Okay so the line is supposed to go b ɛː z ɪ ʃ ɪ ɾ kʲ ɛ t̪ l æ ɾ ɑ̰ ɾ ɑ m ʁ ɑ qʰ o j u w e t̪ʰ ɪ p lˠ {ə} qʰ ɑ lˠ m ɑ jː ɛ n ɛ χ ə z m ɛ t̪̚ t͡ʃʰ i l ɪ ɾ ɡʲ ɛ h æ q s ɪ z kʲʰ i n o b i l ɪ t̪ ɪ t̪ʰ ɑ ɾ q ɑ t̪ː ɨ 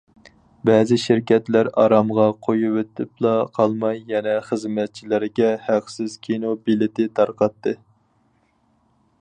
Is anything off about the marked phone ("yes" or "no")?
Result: yes